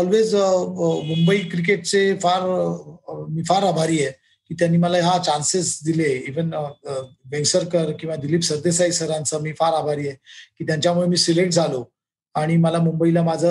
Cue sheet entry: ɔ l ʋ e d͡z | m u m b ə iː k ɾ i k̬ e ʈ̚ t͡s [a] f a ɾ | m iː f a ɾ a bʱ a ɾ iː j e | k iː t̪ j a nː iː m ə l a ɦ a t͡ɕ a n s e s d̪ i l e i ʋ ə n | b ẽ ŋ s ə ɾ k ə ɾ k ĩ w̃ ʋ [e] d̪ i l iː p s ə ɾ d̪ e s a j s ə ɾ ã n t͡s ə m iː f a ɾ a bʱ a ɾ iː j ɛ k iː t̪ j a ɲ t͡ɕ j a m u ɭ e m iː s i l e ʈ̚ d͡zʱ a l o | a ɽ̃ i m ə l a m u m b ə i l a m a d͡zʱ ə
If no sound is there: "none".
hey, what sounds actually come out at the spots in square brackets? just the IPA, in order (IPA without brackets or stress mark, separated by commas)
e, a